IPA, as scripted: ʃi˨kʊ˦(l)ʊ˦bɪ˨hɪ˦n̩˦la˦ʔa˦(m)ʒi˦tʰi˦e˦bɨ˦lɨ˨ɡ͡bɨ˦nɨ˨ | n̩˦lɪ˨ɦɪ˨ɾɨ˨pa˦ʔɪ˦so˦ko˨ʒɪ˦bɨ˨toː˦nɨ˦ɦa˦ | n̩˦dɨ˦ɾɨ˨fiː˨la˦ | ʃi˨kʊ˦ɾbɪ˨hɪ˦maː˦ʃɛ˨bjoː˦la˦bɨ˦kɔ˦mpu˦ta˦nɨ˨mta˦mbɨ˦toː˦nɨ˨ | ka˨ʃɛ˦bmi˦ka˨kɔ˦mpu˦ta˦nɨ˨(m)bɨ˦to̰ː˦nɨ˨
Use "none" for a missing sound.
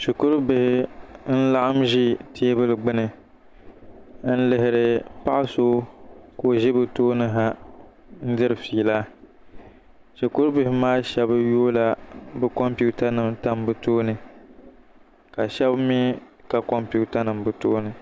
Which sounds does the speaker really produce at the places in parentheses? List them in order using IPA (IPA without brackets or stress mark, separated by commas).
ɾ, m, m